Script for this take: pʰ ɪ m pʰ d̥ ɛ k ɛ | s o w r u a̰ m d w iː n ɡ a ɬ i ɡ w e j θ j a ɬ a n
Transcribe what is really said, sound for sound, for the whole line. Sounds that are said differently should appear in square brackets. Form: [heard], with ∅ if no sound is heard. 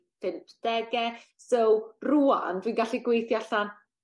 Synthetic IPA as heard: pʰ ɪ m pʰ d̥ ɛ [ɡ] ɛ | s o w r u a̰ [n] d w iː n ɡ a ɬ i ɡ w e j θ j a ɬ a n